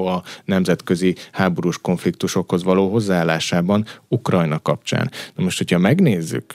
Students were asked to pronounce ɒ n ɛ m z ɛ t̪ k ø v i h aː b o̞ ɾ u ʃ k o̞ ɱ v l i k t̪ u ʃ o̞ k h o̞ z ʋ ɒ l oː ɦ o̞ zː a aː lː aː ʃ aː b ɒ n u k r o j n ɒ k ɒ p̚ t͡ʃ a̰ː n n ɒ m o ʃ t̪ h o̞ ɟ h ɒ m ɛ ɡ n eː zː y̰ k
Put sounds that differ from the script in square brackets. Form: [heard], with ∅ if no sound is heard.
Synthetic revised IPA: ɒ n ɛ m z ɛ t̪ k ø [z] i h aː b o̞ ɾ u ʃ k o̞ ɱ [f] l i k t̪ u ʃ o̞ k h o̞ z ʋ ɒ l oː ɦ o̞ zː a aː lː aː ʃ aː b ɒ n u k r [ɒ] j n ɒ k ɒ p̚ t͡ʃ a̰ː n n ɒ m o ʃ t̪ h o̞ [c] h ɒ m ɛ ɡ n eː zː y̰ k